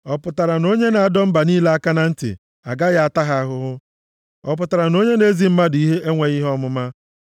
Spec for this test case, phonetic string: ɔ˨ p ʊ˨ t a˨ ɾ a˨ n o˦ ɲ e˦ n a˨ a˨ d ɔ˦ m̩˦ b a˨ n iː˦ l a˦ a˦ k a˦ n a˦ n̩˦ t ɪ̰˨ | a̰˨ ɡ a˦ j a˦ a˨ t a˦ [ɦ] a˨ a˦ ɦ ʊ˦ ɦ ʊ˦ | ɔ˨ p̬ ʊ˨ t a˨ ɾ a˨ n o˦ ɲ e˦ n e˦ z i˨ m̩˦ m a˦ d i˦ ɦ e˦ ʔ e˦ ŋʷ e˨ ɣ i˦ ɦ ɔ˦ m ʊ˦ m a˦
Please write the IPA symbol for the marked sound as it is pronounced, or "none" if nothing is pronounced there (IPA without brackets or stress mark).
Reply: ɦ